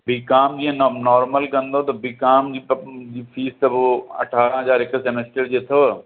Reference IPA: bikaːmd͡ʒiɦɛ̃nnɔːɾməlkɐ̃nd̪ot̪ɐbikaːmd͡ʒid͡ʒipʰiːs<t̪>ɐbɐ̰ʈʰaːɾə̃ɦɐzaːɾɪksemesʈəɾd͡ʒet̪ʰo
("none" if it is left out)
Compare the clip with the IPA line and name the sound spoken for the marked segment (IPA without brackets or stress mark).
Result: t̪